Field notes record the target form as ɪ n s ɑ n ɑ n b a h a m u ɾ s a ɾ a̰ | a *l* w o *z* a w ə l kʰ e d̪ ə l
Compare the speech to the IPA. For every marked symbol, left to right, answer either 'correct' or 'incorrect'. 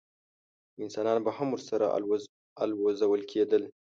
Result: correct, correct

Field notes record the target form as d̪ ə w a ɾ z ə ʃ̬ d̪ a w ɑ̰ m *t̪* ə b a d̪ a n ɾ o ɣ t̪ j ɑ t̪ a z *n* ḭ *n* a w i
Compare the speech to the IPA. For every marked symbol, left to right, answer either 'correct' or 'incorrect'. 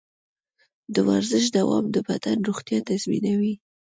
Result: incorrect, incorrect, correct

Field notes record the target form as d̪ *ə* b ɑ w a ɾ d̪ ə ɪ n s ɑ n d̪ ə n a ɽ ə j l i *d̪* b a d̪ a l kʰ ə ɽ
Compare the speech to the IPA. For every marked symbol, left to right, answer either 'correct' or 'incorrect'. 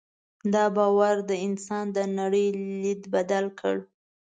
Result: incorrect, correct

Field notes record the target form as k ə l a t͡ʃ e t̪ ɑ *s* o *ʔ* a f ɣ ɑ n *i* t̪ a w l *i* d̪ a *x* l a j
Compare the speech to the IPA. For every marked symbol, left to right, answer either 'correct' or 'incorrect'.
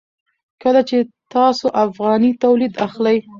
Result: correct, correct, correct, correct, correct

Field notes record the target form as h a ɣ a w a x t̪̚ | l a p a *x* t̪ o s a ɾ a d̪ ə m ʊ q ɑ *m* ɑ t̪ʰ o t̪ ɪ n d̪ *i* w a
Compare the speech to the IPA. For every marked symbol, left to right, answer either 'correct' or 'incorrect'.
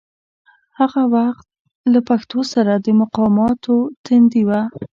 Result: correct, correct, correct

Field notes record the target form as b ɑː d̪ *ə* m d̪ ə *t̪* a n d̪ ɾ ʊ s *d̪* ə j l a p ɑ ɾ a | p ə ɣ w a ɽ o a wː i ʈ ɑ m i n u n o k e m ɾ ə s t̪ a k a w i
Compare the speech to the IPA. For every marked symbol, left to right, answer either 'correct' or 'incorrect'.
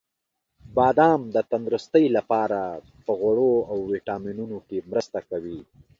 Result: incorrect, correct, incorrect

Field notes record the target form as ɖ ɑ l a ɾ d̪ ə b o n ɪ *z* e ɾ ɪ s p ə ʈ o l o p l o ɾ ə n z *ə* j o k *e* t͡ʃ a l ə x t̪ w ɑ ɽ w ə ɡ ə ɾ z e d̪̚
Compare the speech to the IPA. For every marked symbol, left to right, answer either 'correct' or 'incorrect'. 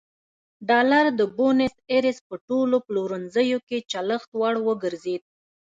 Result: incorrect, correct, correct

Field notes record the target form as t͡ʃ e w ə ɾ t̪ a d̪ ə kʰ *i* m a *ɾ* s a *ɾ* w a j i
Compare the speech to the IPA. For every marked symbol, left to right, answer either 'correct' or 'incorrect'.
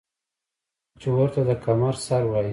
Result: incorrect, correct, correct

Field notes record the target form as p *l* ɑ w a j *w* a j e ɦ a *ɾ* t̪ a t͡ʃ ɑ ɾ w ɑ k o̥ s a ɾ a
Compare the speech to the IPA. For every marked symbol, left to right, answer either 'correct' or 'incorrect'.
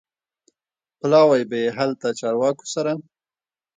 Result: correct, incorrect, incorrect

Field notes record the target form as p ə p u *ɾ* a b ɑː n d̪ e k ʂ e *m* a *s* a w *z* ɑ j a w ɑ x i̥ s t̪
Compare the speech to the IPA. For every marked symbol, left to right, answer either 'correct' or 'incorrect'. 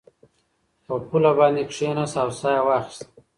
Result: incorrect, incorrect, correct, incorrect

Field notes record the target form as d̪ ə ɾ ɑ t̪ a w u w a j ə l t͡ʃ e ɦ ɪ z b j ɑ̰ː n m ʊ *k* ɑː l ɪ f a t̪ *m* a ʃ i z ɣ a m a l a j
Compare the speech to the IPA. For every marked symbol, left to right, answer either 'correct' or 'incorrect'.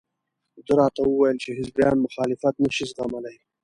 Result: incorrect, incorrect

